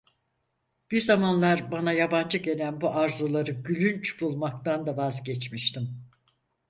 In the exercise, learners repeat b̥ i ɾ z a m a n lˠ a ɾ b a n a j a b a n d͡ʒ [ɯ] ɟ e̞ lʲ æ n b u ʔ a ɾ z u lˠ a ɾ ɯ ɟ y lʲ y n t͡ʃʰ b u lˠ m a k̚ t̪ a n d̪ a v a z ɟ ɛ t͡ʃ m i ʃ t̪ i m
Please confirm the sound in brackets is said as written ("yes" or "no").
yes